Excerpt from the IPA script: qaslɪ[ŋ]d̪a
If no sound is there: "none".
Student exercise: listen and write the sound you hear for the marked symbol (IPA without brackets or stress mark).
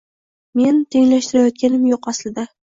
none